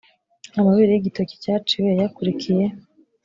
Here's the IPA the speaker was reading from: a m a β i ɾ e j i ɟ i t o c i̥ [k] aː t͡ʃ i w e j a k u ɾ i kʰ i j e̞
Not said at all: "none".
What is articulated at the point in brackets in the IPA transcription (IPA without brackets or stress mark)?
c